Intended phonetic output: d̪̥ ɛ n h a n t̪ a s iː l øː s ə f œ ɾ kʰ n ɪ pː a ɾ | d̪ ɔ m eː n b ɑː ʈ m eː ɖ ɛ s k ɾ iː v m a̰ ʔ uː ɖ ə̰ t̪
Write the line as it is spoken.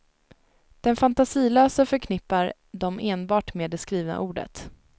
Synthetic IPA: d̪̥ ɛ n f a n t̪ a s iː l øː s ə f œ ɾ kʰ n ɪ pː a ɾ | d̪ ɔ m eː n b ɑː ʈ m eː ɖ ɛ s k ɾ iː v n a̰ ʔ uː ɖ ə̰ t̪